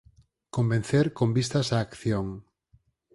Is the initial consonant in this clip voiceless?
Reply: yes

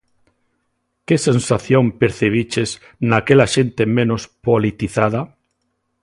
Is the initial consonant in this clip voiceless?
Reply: yes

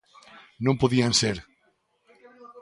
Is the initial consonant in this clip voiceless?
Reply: no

